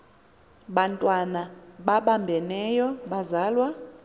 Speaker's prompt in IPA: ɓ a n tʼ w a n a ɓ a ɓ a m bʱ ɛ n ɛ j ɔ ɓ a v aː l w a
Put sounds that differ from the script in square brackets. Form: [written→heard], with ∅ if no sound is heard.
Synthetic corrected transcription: ɓ a n tʼ w a n a ɓ a ɓ a m bʱ ɛ n ɛ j ɔ ɓ a [v→z] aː l w a